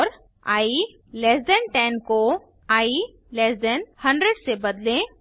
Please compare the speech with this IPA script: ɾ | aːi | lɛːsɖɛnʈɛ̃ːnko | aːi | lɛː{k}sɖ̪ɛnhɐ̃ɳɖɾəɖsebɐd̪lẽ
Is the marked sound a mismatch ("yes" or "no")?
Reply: yes